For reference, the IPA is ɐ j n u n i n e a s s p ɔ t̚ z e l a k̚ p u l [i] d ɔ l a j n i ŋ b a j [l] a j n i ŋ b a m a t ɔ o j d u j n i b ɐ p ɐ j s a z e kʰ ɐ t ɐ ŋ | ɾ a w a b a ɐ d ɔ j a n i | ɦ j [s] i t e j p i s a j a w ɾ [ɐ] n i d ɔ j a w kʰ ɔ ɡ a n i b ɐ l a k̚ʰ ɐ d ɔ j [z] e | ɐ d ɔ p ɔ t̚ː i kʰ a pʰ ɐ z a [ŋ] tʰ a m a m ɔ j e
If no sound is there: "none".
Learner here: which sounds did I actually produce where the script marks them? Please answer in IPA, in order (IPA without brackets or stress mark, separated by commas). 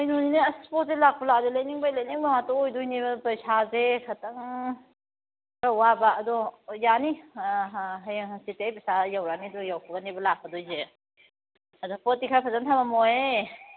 a, l, s, a, z, n